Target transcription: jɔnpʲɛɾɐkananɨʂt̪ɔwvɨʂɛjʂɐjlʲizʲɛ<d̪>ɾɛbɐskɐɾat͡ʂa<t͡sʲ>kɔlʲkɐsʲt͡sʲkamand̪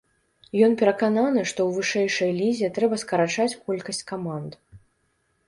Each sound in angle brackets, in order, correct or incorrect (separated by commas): incorrect, correct